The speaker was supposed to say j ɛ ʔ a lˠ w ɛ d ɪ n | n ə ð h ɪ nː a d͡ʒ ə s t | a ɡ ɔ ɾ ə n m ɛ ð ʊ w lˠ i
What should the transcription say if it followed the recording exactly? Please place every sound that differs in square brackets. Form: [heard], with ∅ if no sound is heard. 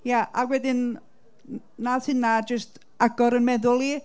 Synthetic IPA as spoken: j [a] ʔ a [∅] w ɛ d ɪ n | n [a] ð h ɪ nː a d͡ʒ ə s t | a ɡ ɔ ɾ ə n m ɛ ð ʊ [∅] lˠ i